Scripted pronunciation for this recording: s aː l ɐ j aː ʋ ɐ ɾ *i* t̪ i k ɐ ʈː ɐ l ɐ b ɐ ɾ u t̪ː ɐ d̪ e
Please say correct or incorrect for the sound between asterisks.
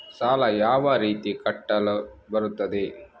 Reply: incorrect